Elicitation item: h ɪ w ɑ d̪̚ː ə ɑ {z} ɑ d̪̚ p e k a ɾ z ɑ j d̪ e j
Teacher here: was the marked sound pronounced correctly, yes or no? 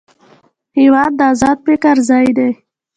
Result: yes